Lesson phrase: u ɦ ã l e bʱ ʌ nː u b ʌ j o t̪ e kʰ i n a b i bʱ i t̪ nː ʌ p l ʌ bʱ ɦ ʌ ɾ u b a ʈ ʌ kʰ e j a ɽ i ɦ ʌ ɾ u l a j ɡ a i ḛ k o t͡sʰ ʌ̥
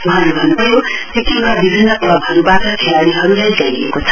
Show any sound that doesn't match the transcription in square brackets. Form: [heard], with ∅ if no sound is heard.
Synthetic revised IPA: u ɦ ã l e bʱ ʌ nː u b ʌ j o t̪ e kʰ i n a b i bʱ i [∅] nː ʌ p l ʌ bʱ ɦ ʌ ɾ u b a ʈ ʌ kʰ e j a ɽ i ɦ ʌ ɾ u l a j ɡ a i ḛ k o t͡sʰ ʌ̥